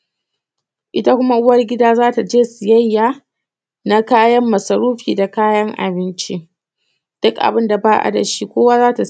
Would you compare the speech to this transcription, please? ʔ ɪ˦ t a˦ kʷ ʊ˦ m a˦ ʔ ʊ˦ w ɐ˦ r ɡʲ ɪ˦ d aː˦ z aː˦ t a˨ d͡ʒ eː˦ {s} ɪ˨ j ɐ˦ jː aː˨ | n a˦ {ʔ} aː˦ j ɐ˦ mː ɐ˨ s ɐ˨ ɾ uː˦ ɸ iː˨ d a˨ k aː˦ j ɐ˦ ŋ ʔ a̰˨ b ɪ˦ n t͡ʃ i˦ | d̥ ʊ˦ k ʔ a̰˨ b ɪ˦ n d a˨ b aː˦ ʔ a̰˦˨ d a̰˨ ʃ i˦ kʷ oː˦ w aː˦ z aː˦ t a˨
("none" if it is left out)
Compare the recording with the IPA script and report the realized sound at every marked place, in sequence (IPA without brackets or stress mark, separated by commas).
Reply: s, k